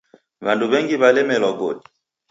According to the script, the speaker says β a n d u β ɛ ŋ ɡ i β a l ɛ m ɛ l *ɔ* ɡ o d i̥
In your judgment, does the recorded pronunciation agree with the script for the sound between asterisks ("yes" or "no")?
yes